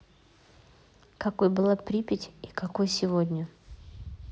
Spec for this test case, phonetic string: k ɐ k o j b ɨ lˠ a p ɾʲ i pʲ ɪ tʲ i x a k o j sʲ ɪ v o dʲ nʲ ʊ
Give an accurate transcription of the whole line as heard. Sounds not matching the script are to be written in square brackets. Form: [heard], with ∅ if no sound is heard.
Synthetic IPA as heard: k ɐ k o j b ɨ lˠ a p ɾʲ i pʲ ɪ tʲ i [k] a k o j sʲ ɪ v o dʲ nʲ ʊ